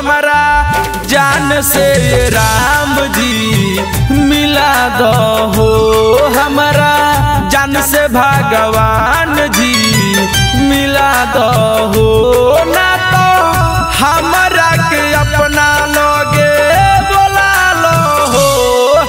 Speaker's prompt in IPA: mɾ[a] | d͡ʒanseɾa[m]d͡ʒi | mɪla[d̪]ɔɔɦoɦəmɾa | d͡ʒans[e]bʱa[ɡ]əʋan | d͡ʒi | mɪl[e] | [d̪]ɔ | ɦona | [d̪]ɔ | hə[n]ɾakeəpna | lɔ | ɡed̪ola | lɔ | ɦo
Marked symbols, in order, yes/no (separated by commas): yes, yes, yes, yes, yes, no, yes, no, no